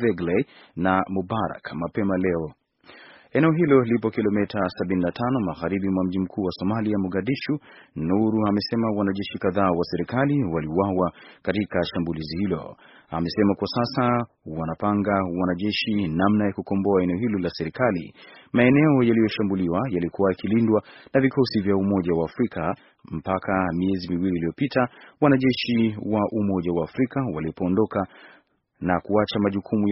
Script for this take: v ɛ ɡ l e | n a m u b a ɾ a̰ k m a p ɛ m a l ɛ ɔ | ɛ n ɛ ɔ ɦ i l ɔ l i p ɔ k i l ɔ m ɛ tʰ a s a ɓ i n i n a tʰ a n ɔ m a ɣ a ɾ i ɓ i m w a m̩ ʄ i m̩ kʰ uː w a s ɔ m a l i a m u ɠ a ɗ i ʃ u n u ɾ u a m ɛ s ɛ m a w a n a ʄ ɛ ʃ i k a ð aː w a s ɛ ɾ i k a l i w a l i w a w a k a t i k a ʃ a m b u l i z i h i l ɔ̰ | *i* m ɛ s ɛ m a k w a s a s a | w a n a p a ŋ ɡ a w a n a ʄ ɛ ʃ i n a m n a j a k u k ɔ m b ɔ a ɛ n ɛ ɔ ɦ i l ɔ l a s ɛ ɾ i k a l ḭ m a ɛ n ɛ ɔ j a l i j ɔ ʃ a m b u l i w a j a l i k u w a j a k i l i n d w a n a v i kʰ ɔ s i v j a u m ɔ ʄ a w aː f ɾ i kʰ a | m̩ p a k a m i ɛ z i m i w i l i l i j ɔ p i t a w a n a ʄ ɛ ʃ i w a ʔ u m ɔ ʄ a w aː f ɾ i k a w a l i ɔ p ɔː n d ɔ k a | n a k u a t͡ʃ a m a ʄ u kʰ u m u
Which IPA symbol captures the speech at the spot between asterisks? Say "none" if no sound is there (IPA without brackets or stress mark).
a